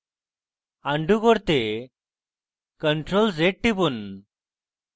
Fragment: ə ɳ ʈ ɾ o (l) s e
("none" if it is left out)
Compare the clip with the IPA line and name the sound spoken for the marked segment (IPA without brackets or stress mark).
l